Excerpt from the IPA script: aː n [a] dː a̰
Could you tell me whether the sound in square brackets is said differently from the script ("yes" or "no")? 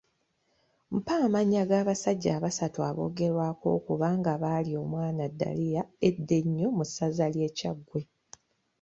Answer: no